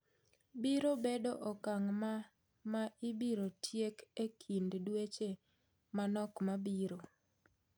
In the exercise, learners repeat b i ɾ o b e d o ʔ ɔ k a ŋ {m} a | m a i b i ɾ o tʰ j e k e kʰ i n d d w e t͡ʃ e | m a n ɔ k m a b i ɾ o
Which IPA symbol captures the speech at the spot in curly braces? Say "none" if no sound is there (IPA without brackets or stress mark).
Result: m